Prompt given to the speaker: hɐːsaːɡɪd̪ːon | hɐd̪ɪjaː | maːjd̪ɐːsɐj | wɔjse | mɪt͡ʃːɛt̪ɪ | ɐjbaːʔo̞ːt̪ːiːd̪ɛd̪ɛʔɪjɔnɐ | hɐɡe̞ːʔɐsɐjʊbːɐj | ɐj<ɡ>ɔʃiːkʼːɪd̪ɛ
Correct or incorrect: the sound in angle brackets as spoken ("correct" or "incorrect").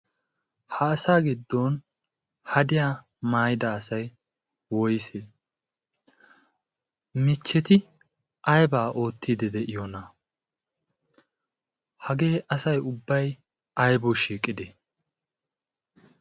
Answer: incorrect